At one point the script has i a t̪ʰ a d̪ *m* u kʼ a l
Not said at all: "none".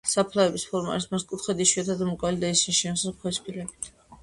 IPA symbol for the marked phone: m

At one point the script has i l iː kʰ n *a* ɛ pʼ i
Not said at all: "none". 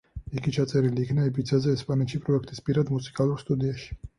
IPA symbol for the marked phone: a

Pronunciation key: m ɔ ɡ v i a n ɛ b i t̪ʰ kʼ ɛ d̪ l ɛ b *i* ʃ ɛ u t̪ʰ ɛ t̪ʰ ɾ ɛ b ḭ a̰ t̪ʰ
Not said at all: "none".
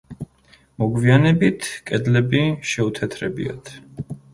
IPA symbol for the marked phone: i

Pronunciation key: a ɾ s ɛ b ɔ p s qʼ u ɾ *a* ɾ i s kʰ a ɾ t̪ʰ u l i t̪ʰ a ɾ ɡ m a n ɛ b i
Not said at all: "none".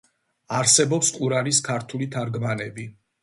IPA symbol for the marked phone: a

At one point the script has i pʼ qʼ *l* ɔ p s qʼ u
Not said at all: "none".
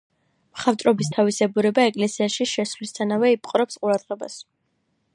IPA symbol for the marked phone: ɾ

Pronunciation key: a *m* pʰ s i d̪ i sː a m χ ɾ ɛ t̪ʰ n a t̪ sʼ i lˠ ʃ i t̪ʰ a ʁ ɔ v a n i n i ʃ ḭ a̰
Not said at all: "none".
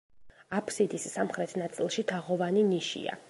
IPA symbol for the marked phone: none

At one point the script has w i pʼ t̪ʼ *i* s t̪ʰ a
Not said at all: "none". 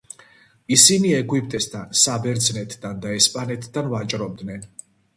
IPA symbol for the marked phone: ɛ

